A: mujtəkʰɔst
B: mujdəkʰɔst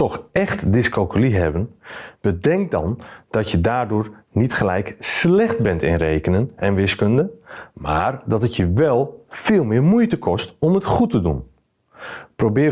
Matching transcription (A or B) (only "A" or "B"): A